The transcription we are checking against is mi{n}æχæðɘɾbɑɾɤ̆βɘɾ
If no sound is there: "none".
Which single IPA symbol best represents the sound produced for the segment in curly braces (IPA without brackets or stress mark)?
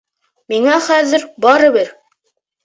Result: ŋ